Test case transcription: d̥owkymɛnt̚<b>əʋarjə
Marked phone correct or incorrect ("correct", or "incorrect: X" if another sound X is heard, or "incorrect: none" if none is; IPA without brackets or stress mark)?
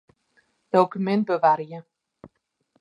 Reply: correct